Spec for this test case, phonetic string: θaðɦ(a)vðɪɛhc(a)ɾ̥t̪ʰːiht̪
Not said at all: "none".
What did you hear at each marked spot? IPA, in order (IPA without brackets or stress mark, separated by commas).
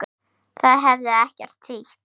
ɛ, ɛ